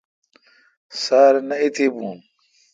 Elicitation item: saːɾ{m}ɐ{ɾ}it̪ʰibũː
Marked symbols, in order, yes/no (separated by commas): no, no